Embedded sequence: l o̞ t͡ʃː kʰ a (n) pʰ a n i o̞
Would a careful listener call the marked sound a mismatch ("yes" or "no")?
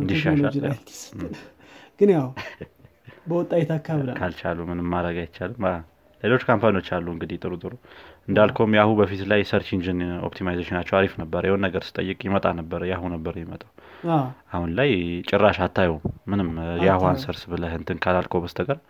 yes